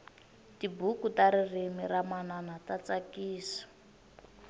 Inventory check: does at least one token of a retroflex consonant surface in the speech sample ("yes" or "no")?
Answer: no